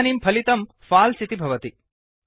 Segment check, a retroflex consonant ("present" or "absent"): absent